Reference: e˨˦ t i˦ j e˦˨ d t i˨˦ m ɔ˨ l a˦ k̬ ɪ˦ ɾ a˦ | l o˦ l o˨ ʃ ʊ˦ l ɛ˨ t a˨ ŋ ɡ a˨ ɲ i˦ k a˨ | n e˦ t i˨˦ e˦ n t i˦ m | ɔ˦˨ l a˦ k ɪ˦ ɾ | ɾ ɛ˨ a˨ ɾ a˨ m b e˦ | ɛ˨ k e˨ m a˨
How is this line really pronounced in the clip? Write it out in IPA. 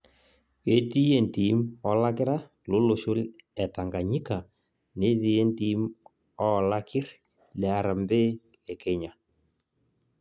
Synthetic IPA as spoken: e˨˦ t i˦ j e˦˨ n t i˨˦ m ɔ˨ l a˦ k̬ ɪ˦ ɾ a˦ | l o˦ l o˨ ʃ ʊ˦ l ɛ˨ t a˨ ŋ ɡ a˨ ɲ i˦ k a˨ | n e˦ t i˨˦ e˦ n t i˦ m | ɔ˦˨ l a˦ k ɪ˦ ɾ | l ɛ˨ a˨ ɾ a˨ m b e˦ | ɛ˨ k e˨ ɲ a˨